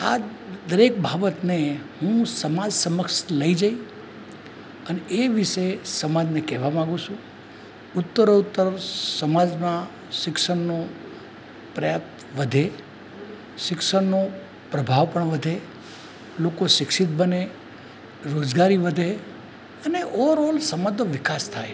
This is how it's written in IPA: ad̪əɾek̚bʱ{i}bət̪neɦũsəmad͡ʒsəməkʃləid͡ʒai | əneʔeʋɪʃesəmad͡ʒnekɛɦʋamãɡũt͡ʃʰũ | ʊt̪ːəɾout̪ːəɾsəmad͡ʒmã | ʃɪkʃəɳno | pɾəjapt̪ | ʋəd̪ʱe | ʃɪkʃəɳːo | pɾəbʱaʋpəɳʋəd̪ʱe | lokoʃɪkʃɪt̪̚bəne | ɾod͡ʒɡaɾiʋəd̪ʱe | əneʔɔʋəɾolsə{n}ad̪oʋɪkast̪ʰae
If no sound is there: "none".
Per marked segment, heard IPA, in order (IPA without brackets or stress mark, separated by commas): a, m